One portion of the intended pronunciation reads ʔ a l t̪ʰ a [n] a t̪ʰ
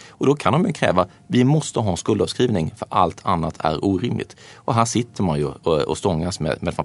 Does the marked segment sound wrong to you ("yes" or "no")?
yes